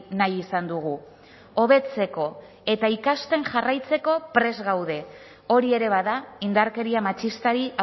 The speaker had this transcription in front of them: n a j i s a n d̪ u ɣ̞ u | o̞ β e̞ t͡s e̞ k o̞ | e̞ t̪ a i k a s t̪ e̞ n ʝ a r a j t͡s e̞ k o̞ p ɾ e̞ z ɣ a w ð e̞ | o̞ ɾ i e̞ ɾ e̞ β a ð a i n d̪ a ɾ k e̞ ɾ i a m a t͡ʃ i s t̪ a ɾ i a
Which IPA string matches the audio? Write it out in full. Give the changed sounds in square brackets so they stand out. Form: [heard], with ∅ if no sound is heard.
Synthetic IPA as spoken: n a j i s a n d̪ u ɣ̞ u | o̞ β e̞ t͡s e̞ k o̞ | e̞ t̪ a i k a s t̪ e̞ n ʝ a r a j t͡s e̞ k o̞ p ɾ e̞ z ɣ a w ð e̞ | o̞ ɾ i e̞ ɾ e̞ β a ð a i n d̪ a ɾ k e̞ ɾ i a m a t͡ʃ i s t̪ a ɾ i a